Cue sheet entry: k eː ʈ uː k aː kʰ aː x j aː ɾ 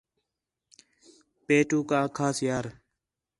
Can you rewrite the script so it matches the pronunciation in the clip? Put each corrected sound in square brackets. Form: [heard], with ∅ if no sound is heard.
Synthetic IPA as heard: [p] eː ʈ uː k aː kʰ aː [s] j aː ɾ